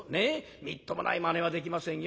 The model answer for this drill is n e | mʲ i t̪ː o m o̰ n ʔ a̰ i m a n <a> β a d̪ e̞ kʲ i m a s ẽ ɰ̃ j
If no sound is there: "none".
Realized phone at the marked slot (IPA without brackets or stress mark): e